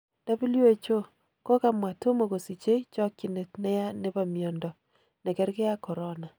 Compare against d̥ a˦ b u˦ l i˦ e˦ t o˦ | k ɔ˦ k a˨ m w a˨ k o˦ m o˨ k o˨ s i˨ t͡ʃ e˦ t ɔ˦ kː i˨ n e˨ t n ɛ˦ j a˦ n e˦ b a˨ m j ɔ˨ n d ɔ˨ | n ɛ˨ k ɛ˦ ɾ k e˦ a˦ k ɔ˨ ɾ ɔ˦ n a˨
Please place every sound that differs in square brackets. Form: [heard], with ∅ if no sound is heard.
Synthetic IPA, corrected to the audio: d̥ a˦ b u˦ l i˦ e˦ [t͡ʃ] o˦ | k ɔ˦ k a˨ m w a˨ [t] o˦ m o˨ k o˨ s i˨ t͡ʃ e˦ [t͡ʃ] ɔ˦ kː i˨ n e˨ t n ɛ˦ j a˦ n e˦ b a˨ m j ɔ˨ n d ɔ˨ | n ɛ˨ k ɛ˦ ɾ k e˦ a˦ k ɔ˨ ɾ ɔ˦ n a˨